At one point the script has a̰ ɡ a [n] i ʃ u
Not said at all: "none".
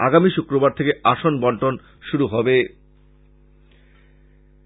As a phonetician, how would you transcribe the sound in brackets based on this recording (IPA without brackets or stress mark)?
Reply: m